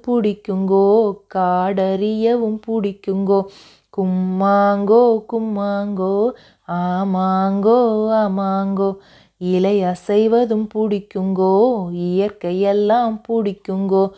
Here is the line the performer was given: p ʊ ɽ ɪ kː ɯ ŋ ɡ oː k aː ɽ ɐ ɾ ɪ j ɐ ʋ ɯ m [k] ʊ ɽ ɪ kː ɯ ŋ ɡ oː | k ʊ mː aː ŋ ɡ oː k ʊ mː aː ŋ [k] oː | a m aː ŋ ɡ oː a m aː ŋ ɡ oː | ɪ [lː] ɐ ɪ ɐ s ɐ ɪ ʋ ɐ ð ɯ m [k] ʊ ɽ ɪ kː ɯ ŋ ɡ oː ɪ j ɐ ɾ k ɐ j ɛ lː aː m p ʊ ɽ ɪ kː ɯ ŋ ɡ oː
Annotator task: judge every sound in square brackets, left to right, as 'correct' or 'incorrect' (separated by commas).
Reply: incorrect, incorrect, incorrect, incorrect